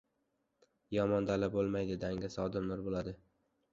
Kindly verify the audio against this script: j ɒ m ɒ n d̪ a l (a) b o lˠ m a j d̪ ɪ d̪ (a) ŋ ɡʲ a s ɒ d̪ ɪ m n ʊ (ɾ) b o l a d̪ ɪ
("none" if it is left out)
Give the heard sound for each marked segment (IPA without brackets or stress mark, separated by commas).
a, a, ɾ